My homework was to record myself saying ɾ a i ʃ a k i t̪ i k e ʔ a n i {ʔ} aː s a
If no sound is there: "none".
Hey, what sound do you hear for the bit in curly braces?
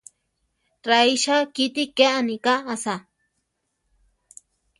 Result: k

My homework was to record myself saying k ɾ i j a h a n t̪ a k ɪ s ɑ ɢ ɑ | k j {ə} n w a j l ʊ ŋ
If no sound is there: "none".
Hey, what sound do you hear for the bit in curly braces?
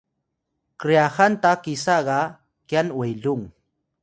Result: a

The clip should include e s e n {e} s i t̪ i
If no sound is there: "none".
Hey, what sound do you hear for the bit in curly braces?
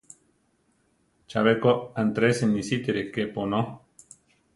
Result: i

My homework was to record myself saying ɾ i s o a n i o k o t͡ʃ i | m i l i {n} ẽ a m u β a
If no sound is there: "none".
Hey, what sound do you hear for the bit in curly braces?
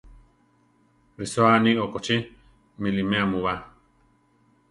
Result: m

